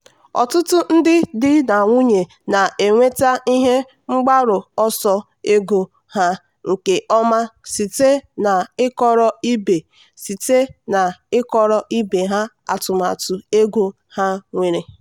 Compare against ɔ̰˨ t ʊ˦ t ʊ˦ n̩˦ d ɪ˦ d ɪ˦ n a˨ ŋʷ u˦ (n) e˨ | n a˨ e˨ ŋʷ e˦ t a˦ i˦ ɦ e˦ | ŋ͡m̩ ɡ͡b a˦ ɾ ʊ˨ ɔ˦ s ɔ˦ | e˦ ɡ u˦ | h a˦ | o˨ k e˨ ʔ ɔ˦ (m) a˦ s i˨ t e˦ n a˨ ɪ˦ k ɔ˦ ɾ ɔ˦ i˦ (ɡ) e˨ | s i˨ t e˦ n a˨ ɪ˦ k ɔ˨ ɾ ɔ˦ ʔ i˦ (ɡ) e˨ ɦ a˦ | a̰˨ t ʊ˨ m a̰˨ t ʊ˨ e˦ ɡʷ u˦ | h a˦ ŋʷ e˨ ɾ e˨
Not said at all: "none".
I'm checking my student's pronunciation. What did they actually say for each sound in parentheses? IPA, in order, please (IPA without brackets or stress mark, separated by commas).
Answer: ɲ, m, b, b